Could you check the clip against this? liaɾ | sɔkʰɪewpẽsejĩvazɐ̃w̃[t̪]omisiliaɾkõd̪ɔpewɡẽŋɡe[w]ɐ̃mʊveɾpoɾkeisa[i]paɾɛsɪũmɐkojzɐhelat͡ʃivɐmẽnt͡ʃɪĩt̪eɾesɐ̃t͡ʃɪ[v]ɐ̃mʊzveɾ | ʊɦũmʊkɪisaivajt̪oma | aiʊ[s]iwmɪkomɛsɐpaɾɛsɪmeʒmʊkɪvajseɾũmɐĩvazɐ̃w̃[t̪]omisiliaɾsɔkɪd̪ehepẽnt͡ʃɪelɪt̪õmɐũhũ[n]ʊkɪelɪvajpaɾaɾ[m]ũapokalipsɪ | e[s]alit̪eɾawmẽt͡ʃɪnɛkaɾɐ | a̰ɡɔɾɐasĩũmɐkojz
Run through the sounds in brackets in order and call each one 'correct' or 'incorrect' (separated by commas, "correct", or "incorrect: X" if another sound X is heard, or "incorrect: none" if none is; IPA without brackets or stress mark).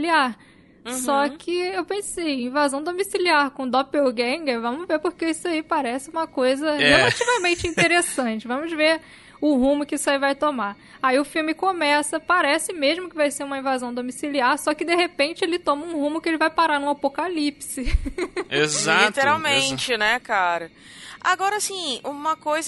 incorrect: d̪, incorrect: v, correct, correct, incorrect: f, incorrect: d̪, incorrect: m, incorrect: n, incorrect: z